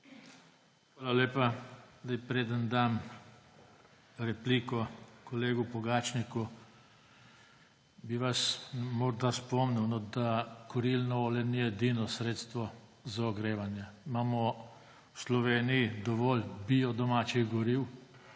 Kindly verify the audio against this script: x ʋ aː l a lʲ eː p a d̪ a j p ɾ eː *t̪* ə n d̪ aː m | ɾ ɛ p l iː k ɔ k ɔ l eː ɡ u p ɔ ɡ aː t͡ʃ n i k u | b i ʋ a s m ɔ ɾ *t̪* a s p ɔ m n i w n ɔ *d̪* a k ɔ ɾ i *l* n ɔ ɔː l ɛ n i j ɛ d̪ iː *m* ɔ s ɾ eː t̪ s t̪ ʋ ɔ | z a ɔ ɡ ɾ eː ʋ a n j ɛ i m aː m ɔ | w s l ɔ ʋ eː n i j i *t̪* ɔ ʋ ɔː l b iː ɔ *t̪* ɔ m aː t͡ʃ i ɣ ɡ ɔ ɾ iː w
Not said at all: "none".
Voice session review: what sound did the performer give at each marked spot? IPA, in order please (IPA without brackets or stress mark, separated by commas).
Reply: d̪, d̪, d̪, l, n, d̪, d̪